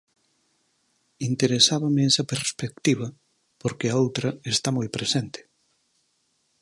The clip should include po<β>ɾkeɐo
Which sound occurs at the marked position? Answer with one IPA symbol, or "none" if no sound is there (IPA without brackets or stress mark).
none